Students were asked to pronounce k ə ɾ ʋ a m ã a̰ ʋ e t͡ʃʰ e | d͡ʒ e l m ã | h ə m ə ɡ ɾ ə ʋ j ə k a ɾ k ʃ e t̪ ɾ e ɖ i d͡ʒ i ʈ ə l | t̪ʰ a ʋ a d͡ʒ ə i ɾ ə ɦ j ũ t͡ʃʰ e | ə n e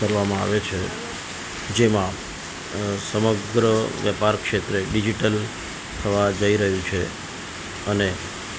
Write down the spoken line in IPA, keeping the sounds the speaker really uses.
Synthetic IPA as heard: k ə ɾ ʋ a m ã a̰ ʋ e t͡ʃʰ e | d͡ʒ e m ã | s ə m ə ɡ ɾ ə ʋ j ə p a ɾ k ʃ e t̪ ɾ e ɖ i d͡ʒ i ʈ ə l | t̪ʰ ə ʋ a d͡ʒ ə i ɾ ə ɦ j ũ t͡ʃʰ e | ə n e